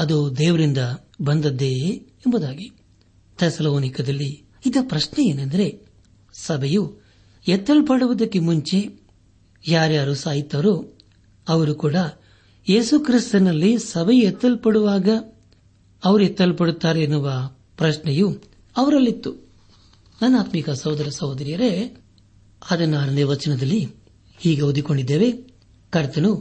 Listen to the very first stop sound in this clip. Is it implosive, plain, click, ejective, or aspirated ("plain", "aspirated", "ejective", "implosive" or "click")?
plain